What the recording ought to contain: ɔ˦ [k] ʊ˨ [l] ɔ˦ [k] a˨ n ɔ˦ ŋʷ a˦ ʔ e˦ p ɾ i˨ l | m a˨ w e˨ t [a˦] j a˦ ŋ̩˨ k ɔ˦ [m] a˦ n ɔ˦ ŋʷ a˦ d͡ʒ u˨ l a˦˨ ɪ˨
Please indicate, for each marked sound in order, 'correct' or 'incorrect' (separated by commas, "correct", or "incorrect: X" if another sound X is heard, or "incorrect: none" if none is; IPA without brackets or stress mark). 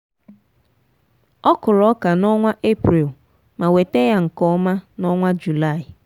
correct, correct, correct, incorrect: e˦, correct